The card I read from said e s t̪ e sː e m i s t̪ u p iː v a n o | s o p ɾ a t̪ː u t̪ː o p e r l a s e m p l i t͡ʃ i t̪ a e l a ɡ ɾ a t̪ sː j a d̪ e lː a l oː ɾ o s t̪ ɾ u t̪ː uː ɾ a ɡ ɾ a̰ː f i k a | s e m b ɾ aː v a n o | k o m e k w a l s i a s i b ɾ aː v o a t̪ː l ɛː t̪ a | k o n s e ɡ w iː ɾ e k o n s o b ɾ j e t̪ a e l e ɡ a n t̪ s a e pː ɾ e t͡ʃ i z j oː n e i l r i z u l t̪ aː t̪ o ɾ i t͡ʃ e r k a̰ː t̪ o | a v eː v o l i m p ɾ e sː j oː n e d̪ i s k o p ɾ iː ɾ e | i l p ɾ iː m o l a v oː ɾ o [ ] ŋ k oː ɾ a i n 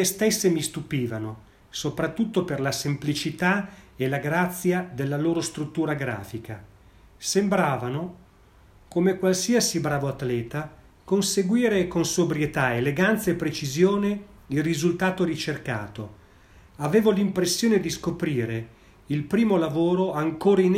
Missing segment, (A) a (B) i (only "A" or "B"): A